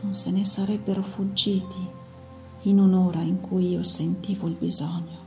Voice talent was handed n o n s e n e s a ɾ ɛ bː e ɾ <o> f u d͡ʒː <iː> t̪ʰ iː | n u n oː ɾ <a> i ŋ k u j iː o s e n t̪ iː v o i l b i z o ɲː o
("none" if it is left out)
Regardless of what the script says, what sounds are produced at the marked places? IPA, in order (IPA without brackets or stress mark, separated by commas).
o, iː, a